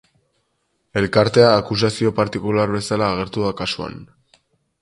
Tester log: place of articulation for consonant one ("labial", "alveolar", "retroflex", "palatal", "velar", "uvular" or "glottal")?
alveolar